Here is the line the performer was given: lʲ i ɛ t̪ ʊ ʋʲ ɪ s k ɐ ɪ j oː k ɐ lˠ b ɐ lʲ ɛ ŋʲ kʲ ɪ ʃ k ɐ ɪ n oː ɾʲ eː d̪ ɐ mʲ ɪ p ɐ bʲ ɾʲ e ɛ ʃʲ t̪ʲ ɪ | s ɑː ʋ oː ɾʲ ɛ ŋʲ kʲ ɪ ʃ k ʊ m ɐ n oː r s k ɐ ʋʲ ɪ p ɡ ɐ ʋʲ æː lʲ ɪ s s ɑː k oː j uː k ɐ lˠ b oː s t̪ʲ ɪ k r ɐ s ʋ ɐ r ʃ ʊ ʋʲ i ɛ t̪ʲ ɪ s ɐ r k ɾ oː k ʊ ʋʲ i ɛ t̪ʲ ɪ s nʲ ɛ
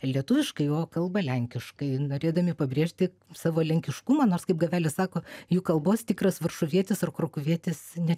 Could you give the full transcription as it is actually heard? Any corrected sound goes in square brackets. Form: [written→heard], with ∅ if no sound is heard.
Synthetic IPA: lʲ i ɛ t̪ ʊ ʋʲ ɪ [s→ʃ] k ɐ ɪ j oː k ɐ lˠ b ɐ lʲ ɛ ŋʲ kʲ ɪ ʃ k ɐ ɪ n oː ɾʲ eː d̪ ɐ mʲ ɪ p ɐ bʲ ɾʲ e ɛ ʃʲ t̪ʲ ɪ | s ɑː ʋ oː [ɾʲ→lʲ] ɛ ŋʲ kʲ ɪ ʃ k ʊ m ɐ n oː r s k ɐ [ʋʲ→∅] ɪ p ɡ ɐ ʋʲ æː lʲ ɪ s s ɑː k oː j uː k ɐ lˠ b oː s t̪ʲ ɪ k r ɐ s ʋ ɐ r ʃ ʊ ʋʲ i ɛ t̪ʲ ɪ s ɐ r k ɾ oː k ʊ ʋʲ i ɛ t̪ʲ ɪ s nʲ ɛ